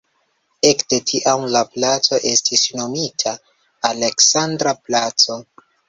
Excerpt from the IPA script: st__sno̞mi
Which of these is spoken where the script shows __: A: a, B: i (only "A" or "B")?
B